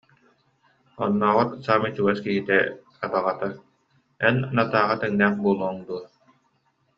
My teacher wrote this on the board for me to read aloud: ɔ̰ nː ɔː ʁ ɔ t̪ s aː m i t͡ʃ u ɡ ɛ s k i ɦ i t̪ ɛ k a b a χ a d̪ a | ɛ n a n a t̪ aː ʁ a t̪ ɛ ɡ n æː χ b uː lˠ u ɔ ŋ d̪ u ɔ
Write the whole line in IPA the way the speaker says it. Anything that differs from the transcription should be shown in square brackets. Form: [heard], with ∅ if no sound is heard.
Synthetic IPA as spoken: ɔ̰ nː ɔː ʁ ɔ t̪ s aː m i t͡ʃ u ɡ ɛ s k i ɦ i t̪ ɛ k a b a [ʁ] a [t̪] a | ɛ n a n a t̪ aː ʁ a t̪ ɛ [ŋ] n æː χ b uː lˠ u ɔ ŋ d̪ u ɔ

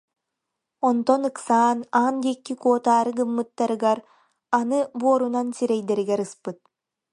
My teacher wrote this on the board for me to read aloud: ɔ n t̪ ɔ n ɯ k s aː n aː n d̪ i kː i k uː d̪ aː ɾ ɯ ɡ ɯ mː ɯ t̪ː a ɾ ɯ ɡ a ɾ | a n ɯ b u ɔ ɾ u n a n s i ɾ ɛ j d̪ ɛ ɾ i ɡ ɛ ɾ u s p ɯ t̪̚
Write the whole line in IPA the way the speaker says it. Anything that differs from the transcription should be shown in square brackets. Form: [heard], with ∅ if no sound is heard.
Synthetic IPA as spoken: ɔ n t̪ ɔ n ɯ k s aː n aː n d̪ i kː i k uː [t̪] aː ɾ ɯ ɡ ɯ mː ɯ t̪ː a ɾ ɯ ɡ a ɾ | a n ɯ b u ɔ ɾ u n a n s i ɾ ɛ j d̪ ɛ ɾ i ɡ ɛ ɾ [ɯ] s p ɯ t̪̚

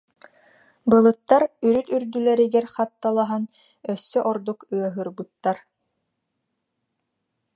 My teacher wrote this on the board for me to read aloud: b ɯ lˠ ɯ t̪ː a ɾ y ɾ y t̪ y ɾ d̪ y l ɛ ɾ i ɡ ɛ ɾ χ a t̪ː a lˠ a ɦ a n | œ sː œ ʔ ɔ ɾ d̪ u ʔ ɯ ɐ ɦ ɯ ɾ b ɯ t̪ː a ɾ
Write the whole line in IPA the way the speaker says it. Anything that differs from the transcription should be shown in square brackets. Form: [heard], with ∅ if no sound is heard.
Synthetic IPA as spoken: b ɯ lˠ ɯ t̪ː a ɾ y ɾ y t̪ y ɾ d̪ y l ɛ ɾ i ɡ ɛ ɾ χ a t̪ː a lˠ a ɦ a n | œ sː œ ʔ ɔ ɾ d̪ u [k] ɯ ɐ ɦ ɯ ɾ b ɯ t̪ː a ɾ

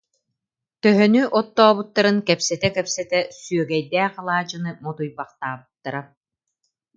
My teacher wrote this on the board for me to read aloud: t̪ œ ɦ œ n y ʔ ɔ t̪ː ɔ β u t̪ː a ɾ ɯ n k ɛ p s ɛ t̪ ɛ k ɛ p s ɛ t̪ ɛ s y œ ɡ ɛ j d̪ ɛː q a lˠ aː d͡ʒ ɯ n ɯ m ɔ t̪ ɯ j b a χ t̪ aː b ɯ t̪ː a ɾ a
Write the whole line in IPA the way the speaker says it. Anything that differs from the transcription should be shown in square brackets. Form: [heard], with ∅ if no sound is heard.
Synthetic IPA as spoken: t̪ œ ɦ œ n y ʔ ɔ t̪ː [ɔː] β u t̪ː a ɾ ɯ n k ɛ p s ɛ t̪ ɛ k ɛ p s ɛ t̪ ɛ s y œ ɡ ɛ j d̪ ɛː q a lˠ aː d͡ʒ ɯ n ɯ m ɔ t̪ [u] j b a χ t̪ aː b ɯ t̪ː a ɾ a

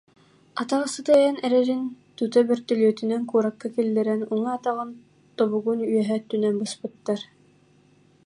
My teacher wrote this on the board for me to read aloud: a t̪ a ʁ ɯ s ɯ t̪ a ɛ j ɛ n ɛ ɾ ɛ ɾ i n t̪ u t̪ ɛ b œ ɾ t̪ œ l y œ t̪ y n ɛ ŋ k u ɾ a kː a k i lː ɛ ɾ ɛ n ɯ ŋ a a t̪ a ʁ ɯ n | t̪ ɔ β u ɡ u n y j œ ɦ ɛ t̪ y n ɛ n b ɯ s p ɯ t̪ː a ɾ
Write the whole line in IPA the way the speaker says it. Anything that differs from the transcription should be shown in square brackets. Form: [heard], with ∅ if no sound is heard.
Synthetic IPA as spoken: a t̪ a ʁ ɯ s ɯ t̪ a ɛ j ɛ n ɛ ɾ ɛ ɾ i n t̪ u t̪ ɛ b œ ɾ t̪ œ l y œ t̪ y n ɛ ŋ k u ɾ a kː a k i lː ɛ ɾ ɛ n [u] ŋ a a t̪ a ʁ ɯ n | t̪ ɔ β u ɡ u n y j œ ɦ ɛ t̪ y n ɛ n b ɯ s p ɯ t̪ː a ɾ

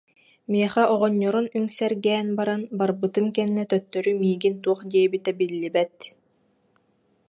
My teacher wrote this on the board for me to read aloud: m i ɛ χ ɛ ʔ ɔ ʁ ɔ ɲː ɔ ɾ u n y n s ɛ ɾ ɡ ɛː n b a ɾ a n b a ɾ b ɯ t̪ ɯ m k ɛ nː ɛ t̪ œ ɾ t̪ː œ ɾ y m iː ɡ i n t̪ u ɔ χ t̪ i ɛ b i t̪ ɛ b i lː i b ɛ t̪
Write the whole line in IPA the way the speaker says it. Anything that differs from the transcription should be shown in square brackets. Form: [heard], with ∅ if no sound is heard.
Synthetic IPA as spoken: m i ɛ χ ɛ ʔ ɔ ʁ ɔ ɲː ɔ ɾ u n y [ŋ] s ɛ ɾ ɡ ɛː n b a ɾ a n b a ɾ b ɯ t̪ ɯ m k ɛ nː ɛ t̪ œ [∅] t̪ː œ ɾ y m iː ɡ i n t̪ u ɔ χ [d̪] i ɛ b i t̪ ɛ b i lː i b ɛ t̪

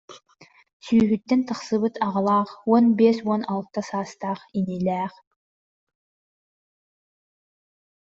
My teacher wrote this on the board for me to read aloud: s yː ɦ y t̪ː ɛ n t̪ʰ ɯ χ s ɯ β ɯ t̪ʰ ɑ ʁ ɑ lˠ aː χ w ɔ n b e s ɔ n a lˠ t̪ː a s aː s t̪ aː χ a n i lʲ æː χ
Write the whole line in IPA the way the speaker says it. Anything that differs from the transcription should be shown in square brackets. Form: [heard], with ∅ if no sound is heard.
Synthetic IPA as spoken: s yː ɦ y t̪ː ɛ n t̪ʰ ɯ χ s ɯ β ɯ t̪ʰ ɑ ʁ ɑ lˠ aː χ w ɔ n b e s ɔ n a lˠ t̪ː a s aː s t̪ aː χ [i] n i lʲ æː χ

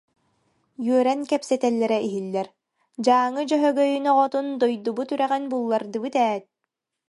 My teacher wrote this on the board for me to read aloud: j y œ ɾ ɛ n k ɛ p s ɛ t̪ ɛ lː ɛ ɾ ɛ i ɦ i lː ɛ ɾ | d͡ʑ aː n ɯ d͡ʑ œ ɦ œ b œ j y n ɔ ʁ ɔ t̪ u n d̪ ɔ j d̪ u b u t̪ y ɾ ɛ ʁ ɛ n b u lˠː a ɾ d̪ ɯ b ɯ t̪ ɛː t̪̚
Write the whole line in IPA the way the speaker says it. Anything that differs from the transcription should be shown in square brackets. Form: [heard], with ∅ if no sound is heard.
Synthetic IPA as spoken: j y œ ɾ ɛ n k ɛ p s ɛ t̪ ɛ lː ɛ ɾ ɛ i ɦ i lː ɛ ɾ | d͡ʑ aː [ŋ] ɯ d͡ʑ œ ɦ œ [ɡ] œ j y n ɔ ʁ ɔ t̪ u n d̪ ɔ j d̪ u b u t̪ y ɾ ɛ ʁ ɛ n b u lˠː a ɾ d̪ ɯ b ɯ t̪ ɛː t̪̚

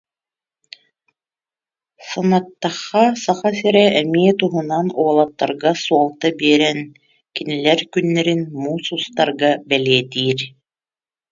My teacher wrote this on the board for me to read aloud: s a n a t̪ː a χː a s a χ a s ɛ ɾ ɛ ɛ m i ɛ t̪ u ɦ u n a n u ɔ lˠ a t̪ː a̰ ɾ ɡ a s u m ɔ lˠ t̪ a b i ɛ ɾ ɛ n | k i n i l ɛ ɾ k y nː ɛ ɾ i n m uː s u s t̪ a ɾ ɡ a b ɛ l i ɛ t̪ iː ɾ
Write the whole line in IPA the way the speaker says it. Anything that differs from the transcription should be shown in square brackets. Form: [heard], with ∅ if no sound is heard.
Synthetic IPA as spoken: s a n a t̪ː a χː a s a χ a s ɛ ɾ ɛ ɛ m i ɛ t̪ u ɦ u n a n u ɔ lˠ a t̪ː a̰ ɾ ɡ a s u [∅] ɔ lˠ t̪ a b i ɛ ɾ ɛ n | k i n i l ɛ ɾ k y nː ɛ ɾ i n m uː s u s t̪ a ɾ ɡ a b ɛ l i ɛ t̪ iː ɾ

